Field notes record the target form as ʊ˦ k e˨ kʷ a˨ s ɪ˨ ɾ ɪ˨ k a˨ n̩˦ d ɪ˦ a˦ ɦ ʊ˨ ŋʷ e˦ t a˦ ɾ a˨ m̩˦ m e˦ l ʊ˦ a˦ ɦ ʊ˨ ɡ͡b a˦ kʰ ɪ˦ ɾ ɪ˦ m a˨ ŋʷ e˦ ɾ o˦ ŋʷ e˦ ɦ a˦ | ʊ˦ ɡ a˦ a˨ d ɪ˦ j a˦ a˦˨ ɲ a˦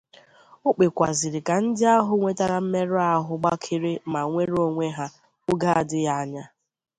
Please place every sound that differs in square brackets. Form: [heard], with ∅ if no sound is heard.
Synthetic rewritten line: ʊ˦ [k͡p] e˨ kʷ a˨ [z] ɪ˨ ɾ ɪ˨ k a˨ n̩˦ d ɪ˦ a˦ ɦ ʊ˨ ŋʷ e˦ t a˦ ɾ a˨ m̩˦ m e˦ [ɾ] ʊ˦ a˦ ɦ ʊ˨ ɡ͡b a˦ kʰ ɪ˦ ɾ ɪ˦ m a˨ ŋʷ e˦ ɾ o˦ ŋʷ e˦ ɦ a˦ | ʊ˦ ɡ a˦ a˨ d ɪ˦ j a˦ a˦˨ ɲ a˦